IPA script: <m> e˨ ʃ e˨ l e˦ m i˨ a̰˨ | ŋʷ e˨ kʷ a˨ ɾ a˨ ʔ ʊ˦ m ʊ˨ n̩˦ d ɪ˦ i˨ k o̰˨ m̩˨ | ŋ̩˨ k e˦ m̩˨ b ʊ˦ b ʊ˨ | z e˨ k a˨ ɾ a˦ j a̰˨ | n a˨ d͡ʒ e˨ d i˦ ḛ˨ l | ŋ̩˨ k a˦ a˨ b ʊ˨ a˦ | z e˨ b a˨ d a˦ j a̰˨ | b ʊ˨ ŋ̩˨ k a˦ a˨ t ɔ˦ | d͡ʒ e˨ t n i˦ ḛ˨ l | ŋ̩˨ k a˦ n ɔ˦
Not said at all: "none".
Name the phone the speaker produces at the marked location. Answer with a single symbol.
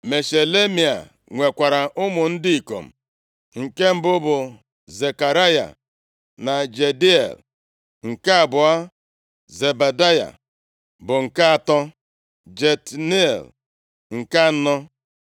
m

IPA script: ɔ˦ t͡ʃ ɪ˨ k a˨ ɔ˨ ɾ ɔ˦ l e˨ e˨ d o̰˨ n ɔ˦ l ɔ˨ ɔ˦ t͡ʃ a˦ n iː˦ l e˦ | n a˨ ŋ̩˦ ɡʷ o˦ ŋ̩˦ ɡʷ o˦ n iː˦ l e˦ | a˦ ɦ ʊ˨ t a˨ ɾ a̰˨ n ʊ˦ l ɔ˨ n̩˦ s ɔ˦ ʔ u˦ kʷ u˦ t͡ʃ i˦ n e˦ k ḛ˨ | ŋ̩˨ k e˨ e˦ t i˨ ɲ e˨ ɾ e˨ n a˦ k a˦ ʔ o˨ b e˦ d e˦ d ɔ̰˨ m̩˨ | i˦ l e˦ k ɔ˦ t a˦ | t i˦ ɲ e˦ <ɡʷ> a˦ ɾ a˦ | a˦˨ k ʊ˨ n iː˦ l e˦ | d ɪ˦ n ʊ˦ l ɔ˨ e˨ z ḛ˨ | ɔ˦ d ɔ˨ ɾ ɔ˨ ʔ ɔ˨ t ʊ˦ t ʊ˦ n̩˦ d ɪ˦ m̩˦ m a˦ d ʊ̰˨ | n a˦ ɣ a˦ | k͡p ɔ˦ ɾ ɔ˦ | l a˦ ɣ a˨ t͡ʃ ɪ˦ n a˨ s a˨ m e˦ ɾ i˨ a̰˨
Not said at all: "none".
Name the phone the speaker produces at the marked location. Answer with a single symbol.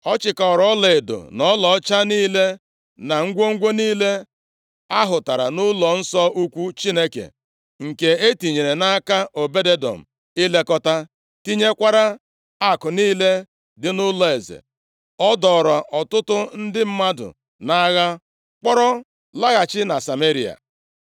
kʷ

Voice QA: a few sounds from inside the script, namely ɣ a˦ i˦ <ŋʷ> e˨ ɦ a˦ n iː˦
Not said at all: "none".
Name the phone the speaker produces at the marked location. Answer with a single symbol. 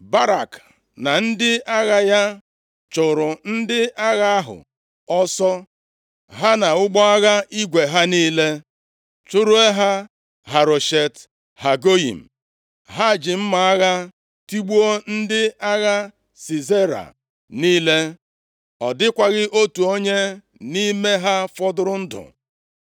ɡʷ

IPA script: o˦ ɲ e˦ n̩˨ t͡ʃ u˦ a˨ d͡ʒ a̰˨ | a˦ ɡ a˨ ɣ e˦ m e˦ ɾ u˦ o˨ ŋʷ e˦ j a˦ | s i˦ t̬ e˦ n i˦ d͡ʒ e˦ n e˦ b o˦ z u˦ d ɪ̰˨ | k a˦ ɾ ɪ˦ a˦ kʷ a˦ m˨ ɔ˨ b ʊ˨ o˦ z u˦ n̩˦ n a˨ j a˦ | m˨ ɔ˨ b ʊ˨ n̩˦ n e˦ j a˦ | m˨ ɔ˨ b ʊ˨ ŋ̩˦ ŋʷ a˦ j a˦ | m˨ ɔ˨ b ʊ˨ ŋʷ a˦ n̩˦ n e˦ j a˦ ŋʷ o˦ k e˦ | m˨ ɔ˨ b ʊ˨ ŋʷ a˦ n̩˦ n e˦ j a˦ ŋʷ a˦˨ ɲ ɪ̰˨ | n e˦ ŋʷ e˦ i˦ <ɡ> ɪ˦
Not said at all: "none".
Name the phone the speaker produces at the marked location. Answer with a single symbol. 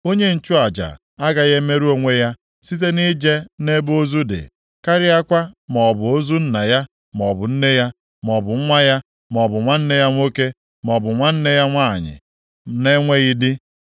d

